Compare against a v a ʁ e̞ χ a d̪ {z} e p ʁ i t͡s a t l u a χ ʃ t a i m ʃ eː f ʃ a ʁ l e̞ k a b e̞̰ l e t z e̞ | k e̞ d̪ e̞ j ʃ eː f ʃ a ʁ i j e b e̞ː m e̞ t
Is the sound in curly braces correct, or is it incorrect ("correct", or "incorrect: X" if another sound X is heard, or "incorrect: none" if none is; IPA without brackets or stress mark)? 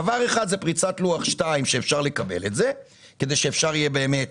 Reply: correct